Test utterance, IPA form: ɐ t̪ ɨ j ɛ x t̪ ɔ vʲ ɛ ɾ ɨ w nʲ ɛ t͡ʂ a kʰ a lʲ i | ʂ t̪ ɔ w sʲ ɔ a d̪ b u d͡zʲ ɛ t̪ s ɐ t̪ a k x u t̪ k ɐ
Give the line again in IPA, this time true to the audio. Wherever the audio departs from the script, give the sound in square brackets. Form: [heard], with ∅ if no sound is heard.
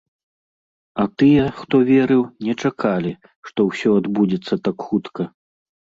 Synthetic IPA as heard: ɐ t̪ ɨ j ɛ x t̪ ɔ vʲ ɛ ɾ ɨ w nʲ ɛ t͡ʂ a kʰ a lʲ i | ʂ t̪ ɔ w sʲ ɔ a d̪ b u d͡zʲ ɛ t̪ [sː] ɐ t̪ a k x u t̪ k ɐ